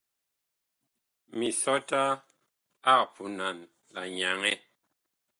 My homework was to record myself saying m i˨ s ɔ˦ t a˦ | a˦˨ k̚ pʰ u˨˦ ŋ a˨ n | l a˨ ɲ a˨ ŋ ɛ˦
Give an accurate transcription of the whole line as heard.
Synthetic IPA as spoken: m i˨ s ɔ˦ t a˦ | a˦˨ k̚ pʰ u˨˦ n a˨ n | l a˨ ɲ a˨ ŋ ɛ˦